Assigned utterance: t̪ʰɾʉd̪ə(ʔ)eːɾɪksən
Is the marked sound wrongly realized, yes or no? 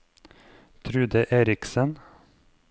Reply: no